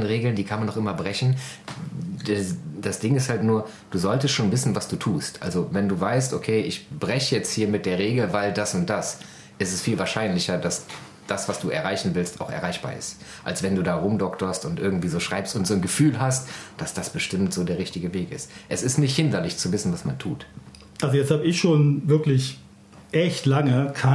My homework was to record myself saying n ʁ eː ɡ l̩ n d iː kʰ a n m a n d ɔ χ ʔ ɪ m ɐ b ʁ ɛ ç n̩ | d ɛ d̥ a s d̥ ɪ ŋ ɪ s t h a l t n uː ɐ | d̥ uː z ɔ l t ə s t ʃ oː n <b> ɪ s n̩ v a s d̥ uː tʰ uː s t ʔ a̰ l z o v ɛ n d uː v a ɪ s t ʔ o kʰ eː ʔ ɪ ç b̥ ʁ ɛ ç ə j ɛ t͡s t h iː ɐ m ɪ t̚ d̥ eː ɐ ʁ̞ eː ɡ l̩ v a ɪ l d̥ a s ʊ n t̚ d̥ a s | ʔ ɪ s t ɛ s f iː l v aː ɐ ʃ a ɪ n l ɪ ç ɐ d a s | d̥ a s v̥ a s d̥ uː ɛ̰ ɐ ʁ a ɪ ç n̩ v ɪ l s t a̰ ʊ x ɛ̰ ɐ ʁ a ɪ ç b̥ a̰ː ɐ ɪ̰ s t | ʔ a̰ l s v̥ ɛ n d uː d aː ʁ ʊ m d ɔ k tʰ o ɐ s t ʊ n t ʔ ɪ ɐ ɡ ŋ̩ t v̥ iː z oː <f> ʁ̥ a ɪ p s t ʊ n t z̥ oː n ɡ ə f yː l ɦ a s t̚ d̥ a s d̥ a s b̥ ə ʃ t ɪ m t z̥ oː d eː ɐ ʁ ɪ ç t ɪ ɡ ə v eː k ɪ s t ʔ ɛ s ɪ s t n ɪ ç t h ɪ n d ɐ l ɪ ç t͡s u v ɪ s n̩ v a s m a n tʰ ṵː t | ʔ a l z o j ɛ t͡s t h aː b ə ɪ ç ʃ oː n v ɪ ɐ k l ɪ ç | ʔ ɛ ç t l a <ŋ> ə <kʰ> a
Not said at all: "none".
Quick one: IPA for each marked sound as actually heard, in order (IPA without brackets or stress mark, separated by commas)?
v, ʃ, ŋ, kʰ